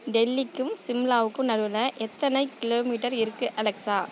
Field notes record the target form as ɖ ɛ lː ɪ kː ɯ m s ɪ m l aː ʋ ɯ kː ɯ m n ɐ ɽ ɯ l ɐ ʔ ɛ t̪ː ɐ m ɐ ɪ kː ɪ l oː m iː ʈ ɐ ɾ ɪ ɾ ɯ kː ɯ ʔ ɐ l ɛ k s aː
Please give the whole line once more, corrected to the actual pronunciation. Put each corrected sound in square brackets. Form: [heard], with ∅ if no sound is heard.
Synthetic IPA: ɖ ɛ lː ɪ kː ɯ m s ɪ m l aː ʋ ɯ kː ɯ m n ɐ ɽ ɯ l ɐ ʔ ɛ t̪ː ɐ [n] ɐ ɪ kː ɪ l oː m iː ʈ ɐ ɾ ɪ ɾ ɯ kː ɯ ʔ ɐ l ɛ k s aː